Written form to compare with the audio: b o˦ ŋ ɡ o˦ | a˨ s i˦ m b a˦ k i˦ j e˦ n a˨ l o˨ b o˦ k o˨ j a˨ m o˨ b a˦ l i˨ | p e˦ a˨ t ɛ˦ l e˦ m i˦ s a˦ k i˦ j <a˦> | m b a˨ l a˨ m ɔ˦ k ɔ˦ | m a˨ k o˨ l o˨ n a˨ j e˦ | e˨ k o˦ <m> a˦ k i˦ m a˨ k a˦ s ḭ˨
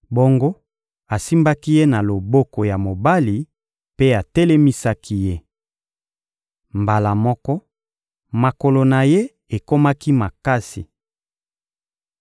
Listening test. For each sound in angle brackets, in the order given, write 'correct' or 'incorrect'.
incorrect: e˦, correct

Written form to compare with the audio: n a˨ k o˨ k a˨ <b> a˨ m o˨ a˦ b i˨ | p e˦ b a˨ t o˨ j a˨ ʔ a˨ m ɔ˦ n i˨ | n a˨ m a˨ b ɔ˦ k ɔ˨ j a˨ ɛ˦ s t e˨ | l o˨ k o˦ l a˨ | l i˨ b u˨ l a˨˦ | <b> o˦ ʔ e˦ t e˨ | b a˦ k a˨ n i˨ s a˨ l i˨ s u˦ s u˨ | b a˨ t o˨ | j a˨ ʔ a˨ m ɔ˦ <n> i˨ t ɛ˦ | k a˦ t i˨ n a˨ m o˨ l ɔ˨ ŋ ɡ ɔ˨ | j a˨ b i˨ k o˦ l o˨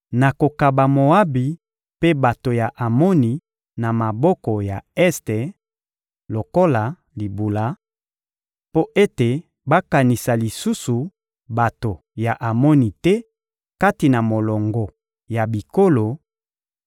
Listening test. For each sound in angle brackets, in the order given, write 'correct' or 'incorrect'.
correct, incorrect: p, correct

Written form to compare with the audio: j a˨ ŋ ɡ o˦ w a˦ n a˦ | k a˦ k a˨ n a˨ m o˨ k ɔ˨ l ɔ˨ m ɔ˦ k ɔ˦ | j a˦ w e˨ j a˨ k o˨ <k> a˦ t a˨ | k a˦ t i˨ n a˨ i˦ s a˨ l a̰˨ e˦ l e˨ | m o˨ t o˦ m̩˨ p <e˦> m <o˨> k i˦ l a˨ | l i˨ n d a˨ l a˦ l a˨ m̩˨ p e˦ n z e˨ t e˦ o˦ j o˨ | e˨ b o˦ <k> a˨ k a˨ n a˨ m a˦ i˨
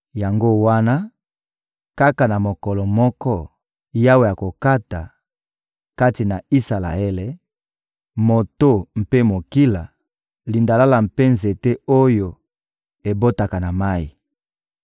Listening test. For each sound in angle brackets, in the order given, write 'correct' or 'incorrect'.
correct, correct, correct, incorrect: t

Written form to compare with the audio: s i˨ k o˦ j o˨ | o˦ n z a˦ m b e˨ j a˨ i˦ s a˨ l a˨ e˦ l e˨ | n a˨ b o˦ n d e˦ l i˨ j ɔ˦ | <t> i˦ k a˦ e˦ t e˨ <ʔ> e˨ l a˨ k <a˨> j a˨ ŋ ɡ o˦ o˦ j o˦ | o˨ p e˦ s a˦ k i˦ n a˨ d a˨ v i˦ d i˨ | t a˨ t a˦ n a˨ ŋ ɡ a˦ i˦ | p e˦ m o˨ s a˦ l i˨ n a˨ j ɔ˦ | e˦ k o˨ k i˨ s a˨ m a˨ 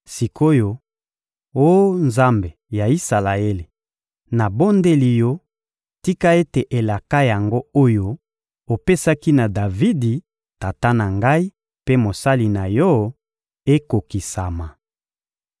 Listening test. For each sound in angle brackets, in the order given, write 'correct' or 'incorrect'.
correct, correct, incorrect: a˦

